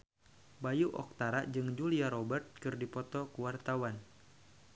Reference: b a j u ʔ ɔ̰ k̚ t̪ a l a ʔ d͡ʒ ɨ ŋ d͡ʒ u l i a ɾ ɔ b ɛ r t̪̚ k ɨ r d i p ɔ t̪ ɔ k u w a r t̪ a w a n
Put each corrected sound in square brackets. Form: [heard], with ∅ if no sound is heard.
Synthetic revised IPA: b a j u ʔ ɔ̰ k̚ t̪ a [ɾ] a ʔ d͡ʒ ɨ ŋ d͡ʒ u l i a ɾ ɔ b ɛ r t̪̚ k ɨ r d i p ɔ t̪ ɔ k u w a r t̪ a w a n